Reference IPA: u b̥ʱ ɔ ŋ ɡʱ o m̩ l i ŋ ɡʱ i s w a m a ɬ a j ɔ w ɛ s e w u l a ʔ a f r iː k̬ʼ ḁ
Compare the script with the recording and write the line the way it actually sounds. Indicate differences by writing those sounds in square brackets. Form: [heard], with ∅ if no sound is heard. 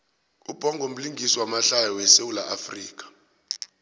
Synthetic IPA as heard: u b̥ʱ ɔ ŋ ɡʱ o m̩ l i ŋ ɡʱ i s w a m a ɬ a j ɔ w ɛ s e w u l a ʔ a f r iː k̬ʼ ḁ